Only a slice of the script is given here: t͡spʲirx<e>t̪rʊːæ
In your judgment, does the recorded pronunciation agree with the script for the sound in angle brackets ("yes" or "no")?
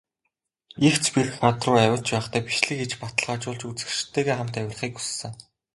no